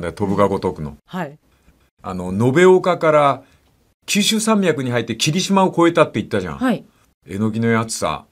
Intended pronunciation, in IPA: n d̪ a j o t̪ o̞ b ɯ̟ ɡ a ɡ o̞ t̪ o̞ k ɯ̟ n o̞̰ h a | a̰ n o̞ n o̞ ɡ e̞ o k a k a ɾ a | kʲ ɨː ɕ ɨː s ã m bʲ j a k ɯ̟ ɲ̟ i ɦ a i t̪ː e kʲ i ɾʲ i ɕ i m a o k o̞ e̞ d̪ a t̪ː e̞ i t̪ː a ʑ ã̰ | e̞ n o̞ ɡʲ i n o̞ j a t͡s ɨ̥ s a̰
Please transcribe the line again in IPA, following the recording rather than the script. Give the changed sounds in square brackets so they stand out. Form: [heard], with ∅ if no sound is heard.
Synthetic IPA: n d̪ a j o t̪ o̞ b ɯ̟ ɡ a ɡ o̞ t̪ o̞ k ɯ̟ n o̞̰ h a | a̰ n o̞ n o̞ [b] e̞ o k a k a ɾ a | kʲ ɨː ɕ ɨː s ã m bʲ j a k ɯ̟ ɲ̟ i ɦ a i t̪ː e kʲ i ɾʲ i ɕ i m a o k o̞ e̞ [t̪] a t̪ː e̞ i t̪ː a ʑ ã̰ | e̞ n o̞ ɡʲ i n o̞ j a t͡s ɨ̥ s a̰